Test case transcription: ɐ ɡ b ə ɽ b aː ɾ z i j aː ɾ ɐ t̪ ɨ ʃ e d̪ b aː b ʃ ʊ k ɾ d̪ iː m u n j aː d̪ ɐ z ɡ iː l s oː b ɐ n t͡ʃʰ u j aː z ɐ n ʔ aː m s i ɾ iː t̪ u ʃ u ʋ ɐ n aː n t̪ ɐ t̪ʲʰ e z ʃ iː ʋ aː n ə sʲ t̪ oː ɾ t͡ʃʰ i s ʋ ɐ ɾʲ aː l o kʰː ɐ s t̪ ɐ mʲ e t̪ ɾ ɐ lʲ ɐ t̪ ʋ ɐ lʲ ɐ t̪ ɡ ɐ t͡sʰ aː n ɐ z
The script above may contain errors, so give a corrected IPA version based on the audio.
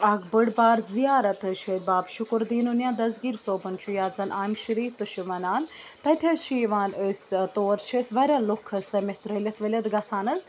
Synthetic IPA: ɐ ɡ b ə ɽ b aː ɾ z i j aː ɾ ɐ t̪ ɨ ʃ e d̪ b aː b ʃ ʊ k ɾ d̪ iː n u n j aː d̪ ɐ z ɡ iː ɾ s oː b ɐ n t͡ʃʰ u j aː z ɐ n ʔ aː m ʃ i ɾ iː t̪ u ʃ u ʋ ɐ n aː n t̪ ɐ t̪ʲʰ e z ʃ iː ʋ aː n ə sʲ t̪ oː ɾ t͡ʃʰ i s ʋ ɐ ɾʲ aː l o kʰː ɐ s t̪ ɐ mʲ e t̪ ɾ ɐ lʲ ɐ t̪ ʋ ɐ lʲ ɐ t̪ ɡ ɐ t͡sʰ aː n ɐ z